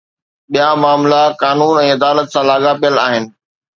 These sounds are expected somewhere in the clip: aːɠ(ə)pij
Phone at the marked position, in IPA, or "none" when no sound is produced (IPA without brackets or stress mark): a